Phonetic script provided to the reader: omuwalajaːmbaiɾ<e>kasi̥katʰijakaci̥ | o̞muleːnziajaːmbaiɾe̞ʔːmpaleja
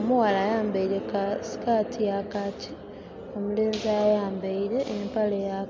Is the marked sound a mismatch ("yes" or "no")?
no